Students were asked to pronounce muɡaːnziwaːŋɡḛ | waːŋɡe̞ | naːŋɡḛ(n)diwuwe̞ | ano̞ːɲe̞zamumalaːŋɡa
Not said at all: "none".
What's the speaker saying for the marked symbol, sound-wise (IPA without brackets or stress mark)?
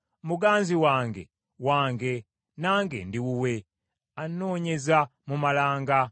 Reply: n